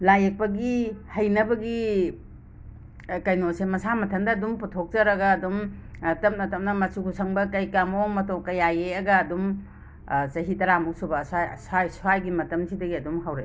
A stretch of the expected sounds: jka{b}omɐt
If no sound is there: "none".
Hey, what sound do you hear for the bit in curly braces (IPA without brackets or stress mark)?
m